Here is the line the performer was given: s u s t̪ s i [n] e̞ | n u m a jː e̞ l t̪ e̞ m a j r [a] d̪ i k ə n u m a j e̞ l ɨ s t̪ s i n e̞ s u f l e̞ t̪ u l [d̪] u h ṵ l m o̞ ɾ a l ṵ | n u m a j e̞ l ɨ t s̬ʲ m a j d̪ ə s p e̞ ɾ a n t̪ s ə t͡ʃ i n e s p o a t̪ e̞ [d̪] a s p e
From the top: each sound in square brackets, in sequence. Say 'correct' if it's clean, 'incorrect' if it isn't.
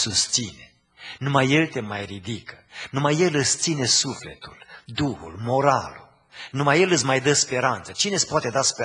correct, incorrect: i, correct, correct

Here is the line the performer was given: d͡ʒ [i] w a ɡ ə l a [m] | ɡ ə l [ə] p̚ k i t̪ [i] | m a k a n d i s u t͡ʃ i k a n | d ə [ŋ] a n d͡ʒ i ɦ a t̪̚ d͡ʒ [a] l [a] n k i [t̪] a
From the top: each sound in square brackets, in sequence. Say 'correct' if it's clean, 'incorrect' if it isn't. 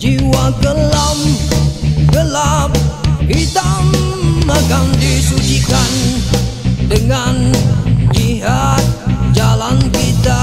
correct, correct, incorrect: a, incorrect: a, correct, correct, correct, correct

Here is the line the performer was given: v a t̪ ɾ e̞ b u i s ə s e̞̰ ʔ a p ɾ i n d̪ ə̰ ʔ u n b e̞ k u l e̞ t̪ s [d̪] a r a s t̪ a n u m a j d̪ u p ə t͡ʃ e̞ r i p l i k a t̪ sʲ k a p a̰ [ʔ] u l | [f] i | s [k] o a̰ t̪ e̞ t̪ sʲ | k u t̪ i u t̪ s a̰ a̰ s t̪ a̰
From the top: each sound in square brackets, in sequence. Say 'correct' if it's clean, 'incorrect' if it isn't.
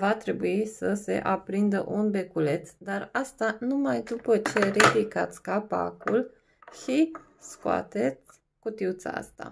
correct, incorrect: k, incorrect: ʃ, correct

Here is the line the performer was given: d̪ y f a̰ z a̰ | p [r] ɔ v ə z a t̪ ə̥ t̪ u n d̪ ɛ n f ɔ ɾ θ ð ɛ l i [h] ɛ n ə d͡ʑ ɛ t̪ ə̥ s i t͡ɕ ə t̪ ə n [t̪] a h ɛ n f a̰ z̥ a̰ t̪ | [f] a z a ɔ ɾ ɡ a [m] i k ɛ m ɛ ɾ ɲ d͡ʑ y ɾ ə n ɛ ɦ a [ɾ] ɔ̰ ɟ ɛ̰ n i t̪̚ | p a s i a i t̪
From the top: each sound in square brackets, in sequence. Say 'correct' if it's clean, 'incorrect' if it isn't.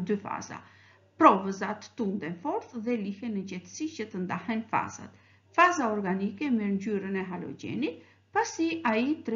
incorrect: ɾ, correct, incorrect: d̪, correct, incorrect: n, incorrect: l

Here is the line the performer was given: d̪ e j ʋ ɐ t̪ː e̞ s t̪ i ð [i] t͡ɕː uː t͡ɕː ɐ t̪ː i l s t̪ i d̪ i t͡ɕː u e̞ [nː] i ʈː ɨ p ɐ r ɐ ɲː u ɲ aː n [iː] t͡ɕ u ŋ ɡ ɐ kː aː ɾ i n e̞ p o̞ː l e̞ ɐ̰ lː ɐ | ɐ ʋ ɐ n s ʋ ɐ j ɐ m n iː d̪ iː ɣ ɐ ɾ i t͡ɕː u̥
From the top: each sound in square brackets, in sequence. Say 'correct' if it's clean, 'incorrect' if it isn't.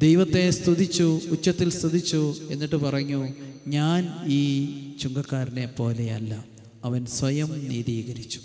correct, correct, correct

